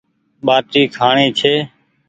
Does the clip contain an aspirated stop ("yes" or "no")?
yes